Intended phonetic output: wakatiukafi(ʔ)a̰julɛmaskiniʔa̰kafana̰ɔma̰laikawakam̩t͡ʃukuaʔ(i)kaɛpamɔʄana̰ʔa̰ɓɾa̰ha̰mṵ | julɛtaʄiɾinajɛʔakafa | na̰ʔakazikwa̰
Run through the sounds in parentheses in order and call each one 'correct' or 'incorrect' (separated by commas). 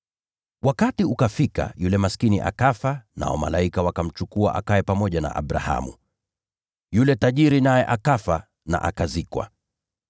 incorrect, incorrect